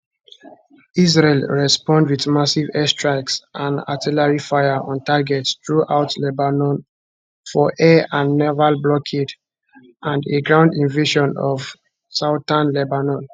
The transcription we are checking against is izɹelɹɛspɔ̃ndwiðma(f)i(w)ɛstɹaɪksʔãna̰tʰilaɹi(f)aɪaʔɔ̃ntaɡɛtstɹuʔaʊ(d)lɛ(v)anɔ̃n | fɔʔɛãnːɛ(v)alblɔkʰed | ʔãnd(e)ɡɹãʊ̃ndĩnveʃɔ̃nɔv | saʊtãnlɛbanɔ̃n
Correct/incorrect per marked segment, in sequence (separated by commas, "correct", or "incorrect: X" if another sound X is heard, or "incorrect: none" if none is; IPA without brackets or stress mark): incorrect: s, incorrect: v, correct, incorrect: t, incorrect: b, correct, correct